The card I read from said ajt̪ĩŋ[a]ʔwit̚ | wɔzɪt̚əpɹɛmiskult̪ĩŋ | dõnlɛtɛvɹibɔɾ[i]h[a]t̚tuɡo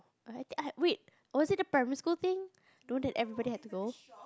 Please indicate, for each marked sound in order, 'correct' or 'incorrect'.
correct, correct, incorrect

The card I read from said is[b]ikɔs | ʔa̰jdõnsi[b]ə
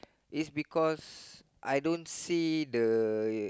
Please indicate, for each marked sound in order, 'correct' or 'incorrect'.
correct, incorrect

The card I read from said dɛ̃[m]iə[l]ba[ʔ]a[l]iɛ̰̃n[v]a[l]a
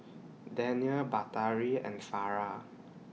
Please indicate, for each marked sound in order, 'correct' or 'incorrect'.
incorrect, correct, incorrect, incorrect, incorrect, incorrect

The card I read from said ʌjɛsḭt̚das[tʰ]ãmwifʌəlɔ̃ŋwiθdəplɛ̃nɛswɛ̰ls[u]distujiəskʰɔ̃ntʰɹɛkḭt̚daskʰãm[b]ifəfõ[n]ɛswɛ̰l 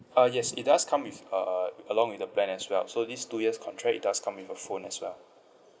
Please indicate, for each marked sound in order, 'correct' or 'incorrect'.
incorrect, incorrect, incorrect, correct

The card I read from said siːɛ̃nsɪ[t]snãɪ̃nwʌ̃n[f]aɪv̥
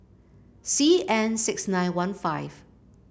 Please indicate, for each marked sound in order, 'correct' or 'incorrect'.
incorrect, correct

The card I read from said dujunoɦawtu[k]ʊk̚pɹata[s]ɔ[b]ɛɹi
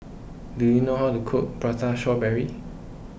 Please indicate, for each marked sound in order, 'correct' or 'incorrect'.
incorrect, incorrect, correct

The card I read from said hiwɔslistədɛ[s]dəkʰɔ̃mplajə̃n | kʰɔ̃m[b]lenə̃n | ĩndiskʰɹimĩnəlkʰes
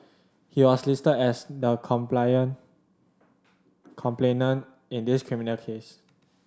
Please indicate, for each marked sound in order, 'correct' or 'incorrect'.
correct, incorrect

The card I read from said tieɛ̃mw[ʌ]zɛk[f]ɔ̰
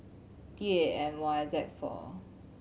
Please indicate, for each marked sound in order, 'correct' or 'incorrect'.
incorrect, correct

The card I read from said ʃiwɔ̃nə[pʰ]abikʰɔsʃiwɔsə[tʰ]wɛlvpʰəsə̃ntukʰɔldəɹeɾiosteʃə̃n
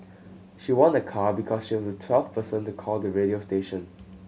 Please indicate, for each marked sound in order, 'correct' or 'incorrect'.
incorrect, correct

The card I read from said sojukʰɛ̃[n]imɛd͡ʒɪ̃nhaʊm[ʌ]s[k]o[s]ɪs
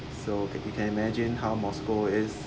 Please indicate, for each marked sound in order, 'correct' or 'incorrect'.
correct, incorrect, correct, incorrect

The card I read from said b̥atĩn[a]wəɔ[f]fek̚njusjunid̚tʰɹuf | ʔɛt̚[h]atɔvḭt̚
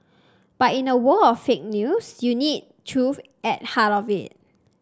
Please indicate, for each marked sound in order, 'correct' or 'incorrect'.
incorrect, correct, correct

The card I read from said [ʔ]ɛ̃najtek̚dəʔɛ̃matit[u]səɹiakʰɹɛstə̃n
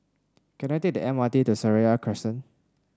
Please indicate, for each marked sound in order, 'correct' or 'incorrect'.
incorrect, correct

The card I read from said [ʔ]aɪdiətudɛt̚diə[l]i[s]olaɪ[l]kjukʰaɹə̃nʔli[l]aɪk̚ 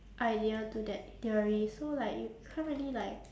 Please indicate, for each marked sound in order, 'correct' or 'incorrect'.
correct, incorrect, correct, incorrect, correct

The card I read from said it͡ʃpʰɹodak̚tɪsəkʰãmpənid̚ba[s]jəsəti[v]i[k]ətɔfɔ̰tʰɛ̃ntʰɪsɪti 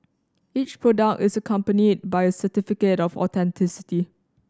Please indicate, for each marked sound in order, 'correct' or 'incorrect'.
incorrect, incorrect, correct

